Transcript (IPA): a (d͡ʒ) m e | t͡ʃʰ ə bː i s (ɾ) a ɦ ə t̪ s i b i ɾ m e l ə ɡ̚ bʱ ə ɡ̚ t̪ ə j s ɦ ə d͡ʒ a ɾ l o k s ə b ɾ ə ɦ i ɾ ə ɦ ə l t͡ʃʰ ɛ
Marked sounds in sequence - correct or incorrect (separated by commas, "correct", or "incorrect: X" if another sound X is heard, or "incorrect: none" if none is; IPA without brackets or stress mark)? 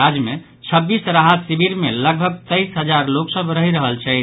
correct, correct